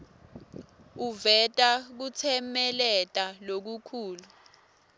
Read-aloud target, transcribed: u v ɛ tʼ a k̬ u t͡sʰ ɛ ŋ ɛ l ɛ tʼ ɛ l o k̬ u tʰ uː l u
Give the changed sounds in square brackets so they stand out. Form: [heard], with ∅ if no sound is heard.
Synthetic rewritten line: u v ɛ tʼ a k̬ u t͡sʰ ɛ [m] ɛ l ɛ tʼ [a] l o k̬ u [kʰ] uː l u